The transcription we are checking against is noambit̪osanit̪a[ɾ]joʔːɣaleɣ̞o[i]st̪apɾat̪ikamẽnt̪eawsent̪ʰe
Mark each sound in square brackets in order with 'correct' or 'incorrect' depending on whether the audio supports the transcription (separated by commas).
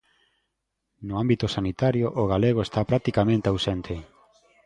correct, incorrect